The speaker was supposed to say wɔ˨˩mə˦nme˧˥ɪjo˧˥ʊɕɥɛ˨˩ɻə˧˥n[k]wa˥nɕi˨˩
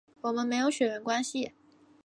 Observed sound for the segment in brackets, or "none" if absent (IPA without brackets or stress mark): k